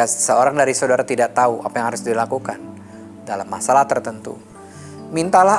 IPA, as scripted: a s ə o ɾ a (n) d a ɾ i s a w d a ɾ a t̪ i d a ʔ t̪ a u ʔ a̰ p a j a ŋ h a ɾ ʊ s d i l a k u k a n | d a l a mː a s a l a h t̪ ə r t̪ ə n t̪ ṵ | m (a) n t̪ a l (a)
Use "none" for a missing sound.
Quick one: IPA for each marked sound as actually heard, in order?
ŋ, i, a

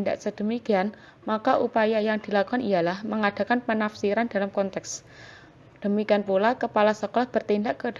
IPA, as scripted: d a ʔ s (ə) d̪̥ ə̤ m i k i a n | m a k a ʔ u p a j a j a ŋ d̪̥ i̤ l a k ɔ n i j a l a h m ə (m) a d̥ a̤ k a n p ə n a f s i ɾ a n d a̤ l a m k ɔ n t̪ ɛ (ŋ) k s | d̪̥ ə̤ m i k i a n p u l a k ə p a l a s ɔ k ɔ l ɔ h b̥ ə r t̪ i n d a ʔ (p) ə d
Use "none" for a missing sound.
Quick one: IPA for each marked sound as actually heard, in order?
ə, ŋ, none, k

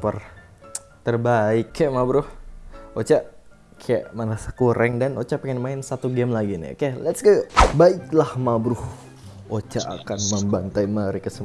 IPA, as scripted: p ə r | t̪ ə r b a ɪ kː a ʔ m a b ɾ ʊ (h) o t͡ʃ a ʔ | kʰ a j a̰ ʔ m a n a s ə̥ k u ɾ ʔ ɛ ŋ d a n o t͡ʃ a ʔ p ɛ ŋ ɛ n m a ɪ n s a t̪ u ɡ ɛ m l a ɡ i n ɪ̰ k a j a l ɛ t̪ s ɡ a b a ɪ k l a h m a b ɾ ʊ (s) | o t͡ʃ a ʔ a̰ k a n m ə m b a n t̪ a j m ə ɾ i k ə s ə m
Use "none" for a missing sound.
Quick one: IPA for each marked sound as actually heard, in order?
h, h

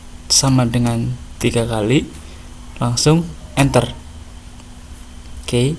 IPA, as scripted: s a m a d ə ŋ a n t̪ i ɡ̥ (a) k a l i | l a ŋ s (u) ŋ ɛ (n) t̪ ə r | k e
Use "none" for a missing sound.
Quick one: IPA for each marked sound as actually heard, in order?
a, ʊ, n

